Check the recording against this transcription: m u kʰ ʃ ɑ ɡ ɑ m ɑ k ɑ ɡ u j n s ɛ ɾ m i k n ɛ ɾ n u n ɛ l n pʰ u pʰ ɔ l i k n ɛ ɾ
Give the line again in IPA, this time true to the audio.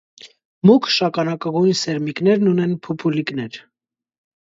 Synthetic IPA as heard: m u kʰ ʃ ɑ k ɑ n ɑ k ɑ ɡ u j n s ɛ ɾ m i k n ɛ ɾ n u n ɛ n pʰ u pʰ u l i k n ɛ ɾ